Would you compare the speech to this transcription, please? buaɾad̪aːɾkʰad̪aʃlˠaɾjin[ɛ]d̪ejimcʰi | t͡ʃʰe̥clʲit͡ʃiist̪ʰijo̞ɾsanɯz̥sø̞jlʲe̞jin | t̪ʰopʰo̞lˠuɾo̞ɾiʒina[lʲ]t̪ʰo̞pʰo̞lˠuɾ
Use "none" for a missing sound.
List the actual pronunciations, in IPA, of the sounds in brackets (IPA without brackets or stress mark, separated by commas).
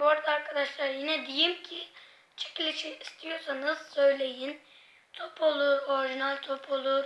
ɛ, lʲ